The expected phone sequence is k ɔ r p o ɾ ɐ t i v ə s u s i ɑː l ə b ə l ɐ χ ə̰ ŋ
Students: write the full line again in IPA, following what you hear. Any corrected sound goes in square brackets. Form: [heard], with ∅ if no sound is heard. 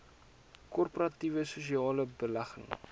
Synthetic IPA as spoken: k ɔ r p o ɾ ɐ t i v ə s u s i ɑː l ə b ə l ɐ χ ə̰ ŋ